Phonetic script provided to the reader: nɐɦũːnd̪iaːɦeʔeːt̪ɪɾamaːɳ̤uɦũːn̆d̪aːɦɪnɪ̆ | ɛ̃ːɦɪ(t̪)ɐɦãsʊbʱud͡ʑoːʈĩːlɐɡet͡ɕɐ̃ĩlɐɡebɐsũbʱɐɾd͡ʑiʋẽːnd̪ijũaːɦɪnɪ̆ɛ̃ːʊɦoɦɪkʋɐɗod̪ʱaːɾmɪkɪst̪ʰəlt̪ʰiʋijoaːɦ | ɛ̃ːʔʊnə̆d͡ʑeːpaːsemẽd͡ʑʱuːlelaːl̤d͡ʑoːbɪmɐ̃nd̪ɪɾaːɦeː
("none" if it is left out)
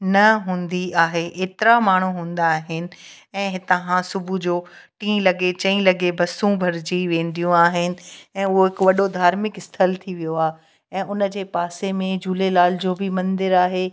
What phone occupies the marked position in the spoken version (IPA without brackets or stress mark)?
t̪